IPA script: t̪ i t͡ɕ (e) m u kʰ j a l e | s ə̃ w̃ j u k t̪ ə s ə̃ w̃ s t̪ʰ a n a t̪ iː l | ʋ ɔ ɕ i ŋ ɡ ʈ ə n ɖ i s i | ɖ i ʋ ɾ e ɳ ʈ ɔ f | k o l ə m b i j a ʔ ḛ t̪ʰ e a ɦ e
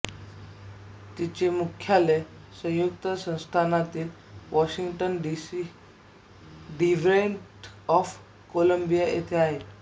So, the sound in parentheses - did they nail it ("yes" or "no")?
yes